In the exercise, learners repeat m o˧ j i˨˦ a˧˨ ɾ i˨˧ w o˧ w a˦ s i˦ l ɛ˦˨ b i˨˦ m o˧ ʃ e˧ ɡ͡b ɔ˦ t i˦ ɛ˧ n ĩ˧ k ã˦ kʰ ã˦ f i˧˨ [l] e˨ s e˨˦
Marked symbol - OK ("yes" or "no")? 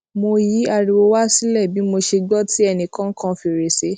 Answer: no